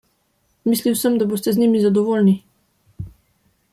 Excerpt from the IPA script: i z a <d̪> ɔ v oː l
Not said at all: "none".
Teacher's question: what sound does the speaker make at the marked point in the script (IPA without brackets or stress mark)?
d̪